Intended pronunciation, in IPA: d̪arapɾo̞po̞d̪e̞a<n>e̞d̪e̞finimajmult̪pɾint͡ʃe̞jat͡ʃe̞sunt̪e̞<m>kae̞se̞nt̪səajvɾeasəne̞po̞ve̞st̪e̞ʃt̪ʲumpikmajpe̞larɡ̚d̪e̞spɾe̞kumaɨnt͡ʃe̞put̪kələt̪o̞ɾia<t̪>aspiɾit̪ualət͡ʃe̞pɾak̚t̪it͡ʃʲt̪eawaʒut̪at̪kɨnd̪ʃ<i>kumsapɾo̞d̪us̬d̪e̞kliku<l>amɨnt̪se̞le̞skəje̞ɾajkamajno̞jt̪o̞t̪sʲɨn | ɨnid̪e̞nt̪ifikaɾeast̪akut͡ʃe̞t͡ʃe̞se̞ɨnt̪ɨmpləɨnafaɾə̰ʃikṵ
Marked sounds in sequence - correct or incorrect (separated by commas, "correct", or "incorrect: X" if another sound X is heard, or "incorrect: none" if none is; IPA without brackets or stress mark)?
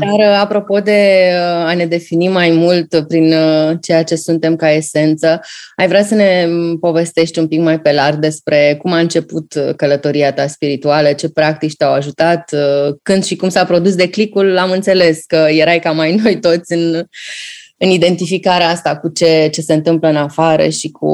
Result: correct, correct, correct, correct, correct